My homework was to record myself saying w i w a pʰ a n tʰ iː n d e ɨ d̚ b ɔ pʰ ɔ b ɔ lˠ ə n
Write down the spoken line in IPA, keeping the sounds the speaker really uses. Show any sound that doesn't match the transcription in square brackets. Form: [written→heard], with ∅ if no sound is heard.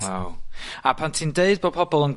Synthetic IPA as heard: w [i→a] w a pʰ a n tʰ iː n d e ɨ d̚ b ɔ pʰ ɔ b ɔ lˠ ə n